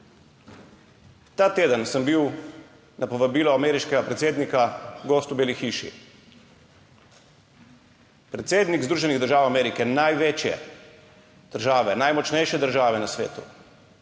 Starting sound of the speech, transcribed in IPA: t̪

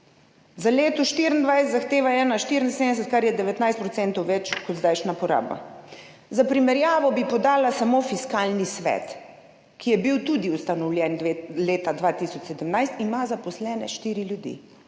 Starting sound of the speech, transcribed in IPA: z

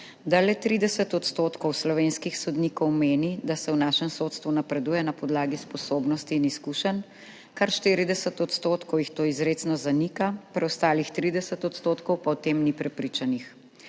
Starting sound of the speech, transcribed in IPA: d̪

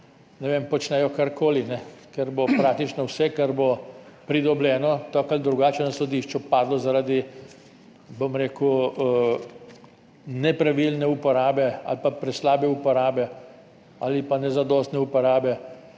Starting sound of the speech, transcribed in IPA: n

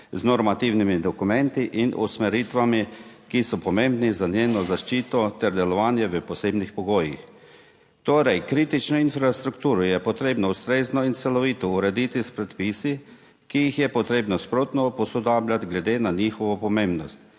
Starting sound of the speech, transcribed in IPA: z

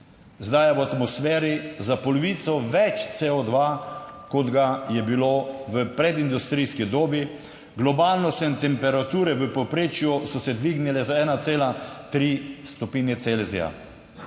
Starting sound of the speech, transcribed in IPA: z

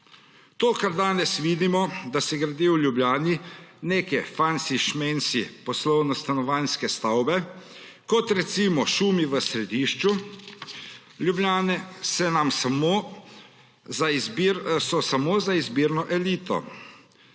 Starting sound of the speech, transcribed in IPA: t̪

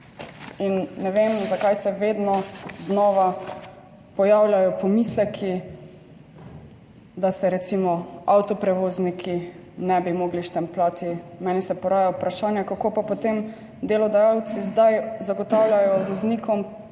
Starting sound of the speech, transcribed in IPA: i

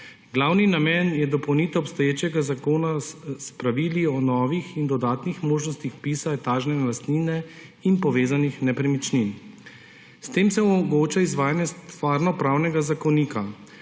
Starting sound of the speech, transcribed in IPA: ɡ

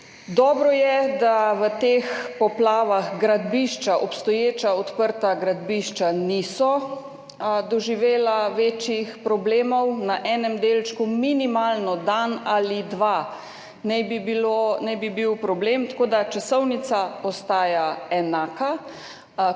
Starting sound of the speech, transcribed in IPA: d̪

